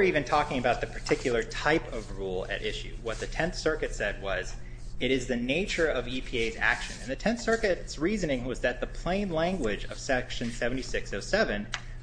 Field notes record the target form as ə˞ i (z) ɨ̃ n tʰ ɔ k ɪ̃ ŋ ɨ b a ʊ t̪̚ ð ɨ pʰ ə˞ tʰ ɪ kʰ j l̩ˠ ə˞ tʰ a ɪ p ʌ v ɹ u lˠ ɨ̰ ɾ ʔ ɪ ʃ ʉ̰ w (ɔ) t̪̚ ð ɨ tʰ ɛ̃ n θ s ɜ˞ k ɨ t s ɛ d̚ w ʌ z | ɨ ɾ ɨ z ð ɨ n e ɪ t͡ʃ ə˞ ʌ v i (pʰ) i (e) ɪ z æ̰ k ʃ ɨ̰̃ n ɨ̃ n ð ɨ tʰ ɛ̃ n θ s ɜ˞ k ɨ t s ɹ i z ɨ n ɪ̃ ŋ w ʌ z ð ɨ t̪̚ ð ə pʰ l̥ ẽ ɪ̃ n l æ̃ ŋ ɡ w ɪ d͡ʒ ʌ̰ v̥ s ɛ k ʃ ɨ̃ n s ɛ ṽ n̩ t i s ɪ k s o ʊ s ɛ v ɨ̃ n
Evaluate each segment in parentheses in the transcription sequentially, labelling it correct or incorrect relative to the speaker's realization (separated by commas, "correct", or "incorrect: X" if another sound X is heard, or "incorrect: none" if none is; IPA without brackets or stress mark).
incorrect: v, incorrect: ʌ, correct, correct